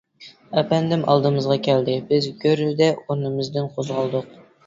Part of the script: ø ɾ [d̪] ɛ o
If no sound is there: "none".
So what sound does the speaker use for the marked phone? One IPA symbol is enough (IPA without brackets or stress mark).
d̪